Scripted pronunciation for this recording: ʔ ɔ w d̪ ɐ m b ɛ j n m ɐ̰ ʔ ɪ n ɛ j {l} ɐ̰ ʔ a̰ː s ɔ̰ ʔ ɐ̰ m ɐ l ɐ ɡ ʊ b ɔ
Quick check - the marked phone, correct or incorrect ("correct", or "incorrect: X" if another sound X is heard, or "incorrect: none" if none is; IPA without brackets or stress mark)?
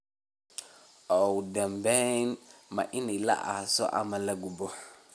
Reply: correct